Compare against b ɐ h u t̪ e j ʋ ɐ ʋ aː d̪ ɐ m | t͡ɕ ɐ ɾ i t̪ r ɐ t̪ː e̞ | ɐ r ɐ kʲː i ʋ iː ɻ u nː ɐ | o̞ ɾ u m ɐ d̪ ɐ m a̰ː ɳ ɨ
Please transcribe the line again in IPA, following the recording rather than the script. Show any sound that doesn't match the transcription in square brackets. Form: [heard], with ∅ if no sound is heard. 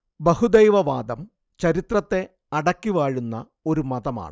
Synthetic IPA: b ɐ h u [d̪] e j ʋ ɐ ʋ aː d̪ ɐ m | t͡ɕ ɐ ɾ i t̪ r ɐ t̪ː e̞ | ɐ [ɽ] ɐ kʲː i ʋ [aː] ɻ u nː ɐ | o̞ ɾ u m ɐ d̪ ɐ m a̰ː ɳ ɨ